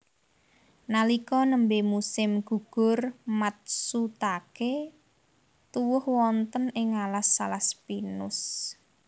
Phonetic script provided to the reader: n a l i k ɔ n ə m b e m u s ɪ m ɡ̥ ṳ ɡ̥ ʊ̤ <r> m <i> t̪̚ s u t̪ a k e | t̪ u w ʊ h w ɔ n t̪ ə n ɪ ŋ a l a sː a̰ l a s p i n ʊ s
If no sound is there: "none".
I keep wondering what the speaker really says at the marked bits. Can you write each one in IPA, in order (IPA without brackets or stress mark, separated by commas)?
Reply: r, a